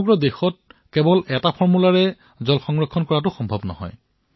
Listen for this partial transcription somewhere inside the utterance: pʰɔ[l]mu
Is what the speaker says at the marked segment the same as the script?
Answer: no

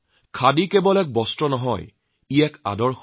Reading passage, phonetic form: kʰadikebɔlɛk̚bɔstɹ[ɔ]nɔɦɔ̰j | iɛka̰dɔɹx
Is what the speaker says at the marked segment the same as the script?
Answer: yes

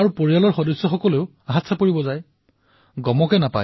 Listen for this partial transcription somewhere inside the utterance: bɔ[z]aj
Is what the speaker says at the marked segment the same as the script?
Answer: yes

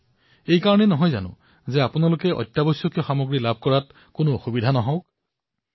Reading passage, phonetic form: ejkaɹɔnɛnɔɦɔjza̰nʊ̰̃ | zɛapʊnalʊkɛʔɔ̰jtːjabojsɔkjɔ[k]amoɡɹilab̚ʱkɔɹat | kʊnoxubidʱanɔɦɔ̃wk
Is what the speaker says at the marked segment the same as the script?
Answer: no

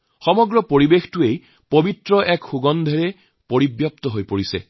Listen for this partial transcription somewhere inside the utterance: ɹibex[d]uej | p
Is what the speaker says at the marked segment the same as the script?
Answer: no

